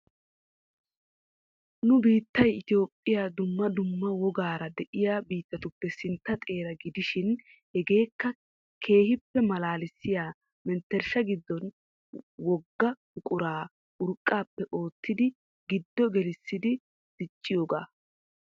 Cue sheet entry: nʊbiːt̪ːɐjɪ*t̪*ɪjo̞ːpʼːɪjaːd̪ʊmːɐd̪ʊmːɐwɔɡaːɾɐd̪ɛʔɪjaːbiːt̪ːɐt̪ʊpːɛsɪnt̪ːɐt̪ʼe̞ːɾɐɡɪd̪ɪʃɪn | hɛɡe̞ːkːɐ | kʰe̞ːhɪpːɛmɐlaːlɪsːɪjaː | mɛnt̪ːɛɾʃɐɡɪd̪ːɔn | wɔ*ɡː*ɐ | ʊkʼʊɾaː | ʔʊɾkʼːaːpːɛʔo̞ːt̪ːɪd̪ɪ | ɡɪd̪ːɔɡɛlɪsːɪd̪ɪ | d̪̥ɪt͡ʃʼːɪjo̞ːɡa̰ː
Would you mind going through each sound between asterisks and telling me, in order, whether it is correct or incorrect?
correct, correct

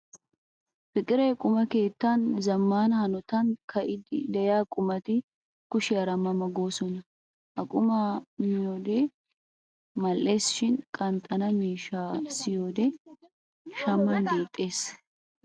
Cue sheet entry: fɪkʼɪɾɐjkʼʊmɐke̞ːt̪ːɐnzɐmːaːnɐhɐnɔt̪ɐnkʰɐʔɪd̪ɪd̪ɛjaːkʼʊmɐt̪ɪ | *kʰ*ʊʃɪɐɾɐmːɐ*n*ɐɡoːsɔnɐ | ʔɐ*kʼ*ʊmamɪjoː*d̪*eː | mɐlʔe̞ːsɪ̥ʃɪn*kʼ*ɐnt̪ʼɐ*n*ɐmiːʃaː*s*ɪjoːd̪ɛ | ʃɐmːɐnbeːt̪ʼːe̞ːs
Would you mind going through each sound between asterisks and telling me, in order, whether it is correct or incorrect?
incorrect: k, incorrect: m, correct, correct, correct, correct, correct

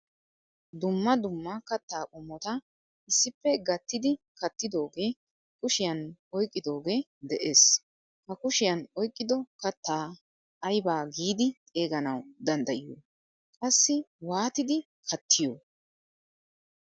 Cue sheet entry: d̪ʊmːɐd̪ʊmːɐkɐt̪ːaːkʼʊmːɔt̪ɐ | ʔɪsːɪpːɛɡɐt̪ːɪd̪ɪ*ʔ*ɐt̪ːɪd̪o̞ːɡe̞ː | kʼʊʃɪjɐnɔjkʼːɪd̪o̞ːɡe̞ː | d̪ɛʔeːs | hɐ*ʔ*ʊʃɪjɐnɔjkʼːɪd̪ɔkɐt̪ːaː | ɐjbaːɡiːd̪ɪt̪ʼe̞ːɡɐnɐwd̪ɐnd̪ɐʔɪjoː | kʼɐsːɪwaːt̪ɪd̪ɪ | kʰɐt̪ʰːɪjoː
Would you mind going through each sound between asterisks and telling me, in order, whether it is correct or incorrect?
incorrect: k, incorrect: k

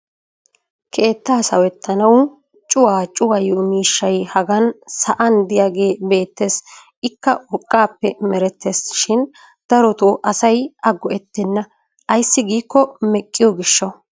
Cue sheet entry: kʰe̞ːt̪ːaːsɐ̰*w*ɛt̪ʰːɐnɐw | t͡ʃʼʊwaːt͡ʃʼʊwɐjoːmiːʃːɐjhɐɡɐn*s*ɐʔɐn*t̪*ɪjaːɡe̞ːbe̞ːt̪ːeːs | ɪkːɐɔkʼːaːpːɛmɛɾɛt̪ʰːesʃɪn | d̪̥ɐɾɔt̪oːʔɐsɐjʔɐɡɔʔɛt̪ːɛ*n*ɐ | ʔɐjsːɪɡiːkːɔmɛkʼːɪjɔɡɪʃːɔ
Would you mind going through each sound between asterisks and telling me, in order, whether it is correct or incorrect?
correct, correct, incorrect: d̪, incorrect: nː

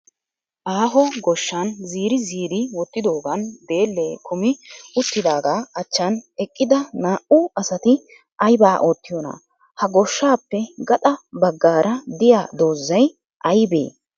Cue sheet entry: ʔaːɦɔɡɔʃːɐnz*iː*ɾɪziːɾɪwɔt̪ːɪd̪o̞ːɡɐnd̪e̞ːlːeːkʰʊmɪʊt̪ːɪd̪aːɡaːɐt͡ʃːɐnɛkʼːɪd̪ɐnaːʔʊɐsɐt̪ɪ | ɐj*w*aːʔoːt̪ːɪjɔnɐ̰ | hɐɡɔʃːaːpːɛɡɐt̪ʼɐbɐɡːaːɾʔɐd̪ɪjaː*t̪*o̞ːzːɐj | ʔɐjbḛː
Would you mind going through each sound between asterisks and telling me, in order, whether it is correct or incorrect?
correct, incorrect: b, incorrect: d̪

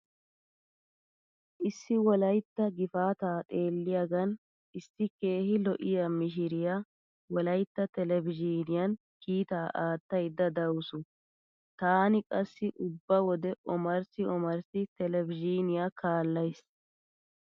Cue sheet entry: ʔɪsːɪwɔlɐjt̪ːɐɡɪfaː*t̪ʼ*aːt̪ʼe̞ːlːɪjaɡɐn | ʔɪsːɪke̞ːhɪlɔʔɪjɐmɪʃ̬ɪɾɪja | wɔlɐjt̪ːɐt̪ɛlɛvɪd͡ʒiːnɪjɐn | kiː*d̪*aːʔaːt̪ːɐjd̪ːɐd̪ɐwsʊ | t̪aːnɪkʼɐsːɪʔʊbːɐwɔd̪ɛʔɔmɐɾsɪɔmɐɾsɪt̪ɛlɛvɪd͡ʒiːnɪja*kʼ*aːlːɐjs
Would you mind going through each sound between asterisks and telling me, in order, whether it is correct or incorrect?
incorrect: t̪, incorrect: t̪, incorrect: k

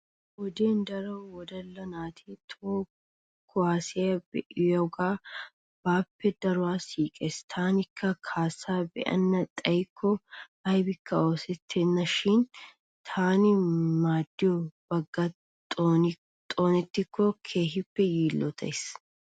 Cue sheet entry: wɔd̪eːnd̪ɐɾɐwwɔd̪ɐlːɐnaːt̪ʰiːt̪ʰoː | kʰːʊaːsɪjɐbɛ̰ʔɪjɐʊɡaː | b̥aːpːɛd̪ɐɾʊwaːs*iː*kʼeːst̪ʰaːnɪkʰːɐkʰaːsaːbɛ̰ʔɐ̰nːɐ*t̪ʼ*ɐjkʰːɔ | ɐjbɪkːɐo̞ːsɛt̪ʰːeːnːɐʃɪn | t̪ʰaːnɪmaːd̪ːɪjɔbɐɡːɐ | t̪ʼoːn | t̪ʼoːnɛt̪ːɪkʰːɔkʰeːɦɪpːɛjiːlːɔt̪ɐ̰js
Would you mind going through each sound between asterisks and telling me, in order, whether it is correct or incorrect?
correct, correct

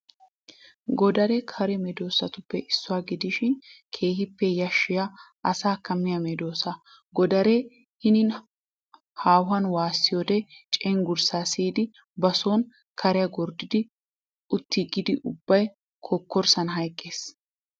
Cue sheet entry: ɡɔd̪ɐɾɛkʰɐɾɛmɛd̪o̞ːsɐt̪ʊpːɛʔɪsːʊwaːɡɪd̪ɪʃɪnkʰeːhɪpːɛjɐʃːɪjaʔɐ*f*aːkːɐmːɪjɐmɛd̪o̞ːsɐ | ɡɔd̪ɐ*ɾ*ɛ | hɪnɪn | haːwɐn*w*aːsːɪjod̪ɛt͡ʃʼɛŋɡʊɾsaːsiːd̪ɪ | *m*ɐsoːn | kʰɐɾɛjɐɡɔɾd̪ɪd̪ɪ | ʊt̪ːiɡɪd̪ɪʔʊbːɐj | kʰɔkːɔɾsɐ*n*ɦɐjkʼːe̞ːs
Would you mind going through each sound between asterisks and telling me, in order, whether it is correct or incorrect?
incorrect: s, correct, correct, incorrect: b, correct

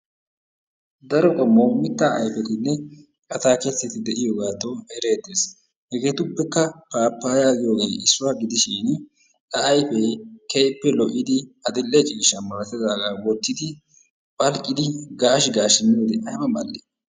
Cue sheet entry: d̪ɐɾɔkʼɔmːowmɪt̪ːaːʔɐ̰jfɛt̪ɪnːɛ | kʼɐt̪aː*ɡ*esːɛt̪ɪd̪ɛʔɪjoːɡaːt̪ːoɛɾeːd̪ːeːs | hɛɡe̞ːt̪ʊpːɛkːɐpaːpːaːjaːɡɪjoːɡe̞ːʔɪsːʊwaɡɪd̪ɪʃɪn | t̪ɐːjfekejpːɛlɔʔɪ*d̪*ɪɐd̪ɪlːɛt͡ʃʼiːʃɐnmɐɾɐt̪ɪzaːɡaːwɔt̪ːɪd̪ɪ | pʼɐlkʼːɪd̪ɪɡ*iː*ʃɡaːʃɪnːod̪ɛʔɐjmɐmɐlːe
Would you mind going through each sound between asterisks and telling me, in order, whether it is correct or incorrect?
incorrect: k, correct, incorrect: aː

